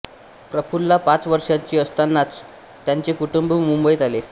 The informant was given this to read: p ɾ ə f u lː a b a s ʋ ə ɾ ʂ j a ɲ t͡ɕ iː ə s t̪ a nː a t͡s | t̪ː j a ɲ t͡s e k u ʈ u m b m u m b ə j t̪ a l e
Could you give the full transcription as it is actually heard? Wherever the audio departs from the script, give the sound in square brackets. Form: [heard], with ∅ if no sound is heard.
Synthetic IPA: p ɾ ə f u lː a [p] a [t͡s] ʋ ə ɾ ʂ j a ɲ t͡ɕ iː ə s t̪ a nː a t͡s | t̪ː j a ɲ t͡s e k u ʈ u m b m u m b ə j t̪ a l e